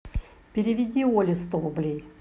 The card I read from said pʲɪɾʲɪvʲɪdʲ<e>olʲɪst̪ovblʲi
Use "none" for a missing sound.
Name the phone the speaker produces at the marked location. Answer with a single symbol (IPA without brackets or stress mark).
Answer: i